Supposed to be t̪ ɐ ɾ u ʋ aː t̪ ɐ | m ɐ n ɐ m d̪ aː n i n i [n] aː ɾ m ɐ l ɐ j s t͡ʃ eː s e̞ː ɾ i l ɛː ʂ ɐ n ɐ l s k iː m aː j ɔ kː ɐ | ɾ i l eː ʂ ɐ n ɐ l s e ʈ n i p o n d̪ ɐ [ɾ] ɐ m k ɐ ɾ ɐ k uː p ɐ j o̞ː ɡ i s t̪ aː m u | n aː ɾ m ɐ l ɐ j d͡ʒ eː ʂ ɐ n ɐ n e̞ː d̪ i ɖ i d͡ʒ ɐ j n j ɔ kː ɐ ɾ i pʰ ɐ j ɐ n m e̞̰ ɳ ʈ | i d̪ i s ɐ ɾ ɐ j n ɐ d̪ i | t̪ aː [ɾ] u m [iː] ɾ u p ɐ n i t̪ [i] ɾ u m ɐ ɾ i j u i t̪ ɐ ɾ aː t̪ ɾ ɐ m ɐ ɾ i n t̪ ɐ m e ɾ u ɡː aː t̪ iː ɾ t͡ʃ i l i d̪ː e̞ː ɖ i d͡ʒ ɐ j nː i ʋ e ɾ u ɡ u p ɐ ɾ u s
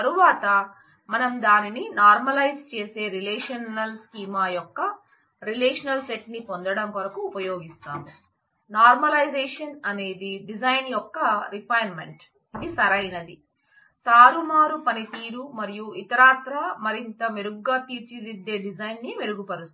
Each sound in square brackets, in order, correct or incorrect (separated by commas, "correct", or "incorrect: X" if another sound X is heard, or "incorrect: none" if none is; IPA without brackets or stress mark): correct, incorrect: ɽ, correct, incorrect: aː, incorrect: iː